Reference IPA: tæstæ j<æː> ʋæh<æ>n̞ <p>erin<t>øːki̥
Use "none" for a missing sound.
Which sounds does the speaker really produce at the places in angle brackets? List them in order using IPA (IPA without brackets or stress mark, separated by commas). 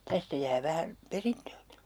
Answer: æː, æ, p, t